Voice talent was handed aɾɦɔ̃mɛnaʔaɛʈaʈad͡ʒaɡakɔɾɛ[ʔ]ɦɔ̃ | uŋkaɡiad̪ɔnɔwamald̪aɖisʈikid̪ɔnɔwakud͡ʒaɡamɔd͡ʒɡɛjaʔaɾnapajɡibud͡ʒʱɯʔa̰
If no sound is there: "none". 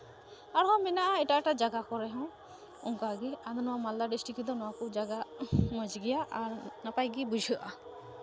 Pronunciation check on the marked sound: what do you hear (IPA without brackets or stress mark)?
none